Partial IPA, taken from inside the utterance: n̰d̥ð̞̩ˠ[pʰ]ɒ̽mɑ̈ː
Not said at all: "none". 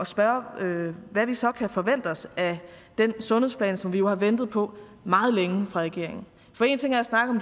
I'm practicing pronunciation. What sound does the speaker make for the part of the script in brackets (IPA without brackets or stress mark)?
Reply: pʰ